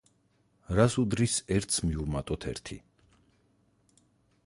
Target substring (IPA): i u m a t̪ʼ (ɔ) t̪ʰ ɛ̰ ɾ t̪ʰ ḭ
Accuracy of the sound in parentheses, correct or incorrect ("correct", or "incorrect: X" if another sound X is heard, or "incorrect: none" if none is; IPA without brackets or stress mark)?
correct